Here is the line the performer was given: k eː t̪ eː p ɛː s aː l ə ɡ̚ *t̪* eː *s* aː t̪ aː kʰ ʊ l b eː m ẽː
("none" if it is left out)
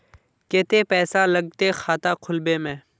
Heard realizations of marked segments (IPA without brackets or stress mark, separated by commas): t̪, x